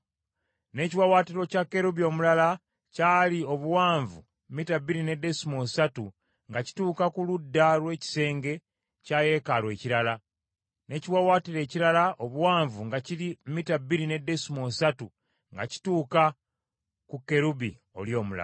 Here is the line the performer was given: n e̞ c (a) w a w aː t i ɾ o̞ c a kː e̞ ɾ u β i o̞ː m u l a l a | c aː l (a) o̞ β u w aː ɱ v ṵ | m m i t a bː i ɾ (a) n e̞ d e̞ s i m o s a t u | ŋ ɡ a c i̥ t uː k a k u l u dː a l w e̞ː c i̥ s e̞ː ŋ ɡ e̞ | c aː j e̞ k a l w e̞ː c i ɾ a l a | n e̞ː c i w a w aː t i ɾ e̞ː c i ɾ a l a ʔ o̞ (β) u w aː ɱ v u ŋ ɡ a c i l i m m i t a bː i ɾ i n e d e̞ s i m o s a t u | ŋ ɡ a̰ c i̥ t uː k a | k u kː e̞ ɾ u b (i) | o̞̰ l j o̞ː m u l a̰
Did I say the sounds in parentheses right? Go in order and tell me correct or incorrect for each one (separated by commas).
incorrect, incorrect, incorrect, correct, correct